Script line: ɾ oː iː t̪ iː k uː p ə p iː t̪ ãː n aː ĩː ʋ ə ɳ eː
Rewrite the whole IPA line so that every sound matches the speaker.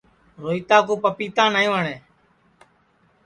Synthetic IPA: ɾ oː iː t̪ aː k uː p ə p iː t̪ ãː n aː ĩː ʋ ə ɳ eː